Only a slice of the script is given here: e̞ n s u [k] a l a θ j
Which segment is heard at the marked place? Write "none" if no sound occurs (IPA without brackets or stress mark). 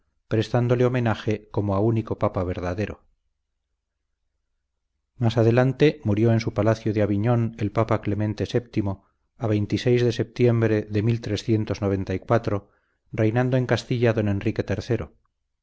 p